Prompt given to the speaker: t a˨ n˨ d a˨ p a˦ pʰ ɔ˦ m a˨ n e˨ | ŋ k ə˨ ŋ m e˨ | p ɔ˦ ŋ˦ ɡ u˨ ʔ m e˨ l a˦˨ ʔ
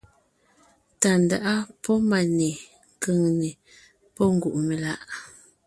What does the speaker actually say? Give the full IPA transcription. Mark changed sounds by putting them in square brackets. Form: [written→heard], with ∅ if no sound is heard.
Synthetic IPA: t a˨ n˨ d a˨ [p→ʔ] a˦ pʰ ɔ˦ m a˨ n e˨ | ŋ k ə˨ ŋ [m→n] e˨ | p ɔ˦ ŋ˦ ɡ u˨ ʔ m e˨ l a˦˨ ʔ